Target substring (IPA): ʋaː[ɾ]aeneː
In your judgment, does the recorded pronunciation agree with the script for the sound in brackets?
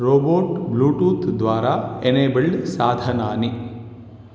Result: yes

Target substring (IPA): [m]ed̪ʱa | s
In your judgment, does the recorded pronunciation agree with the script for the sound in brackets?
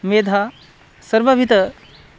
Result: yes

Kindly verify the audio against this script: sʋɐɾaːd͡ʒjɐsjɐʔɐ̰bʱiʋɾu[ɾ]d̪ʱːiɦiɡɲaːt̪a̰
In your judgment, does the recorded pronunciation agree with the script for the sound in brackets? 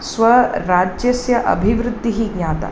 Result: no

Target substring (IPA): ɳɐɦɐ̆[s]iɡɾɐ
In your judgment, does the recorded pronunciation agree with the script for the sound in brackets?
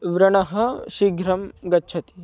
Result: no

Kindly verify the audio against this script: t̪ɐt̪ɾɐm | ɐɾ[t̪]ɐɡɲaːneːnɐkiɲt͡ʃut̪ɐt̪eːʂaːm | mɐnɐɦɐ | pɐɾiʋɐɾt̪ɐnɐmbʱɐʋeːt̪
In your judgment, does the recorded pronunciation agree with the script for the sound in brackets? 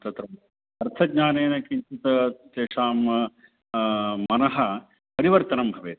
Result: no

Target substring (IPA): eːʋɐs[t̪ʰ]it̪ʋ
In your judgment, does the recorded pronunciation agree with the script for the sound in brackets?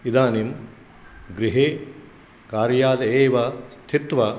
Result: yes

